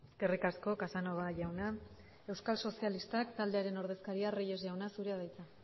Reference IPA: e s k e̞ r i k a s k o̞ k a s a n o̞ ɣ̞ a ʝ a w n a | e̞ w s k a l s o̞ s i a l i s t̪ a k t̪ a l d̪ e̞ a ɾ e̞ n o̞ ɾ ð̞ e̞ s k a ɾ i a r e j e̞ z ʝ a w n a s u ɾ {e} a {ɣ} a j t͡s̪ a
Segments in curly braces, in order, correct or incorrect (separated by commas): correct, incorrect